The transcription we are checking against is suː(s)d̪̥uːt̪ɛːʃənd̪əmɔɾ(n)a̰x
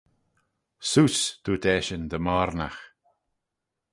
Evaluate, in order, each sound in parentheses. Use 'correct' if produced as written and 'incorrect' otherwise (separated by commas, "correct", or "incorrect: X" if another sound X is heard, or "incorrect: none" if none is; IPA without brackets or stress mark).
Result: correct, correct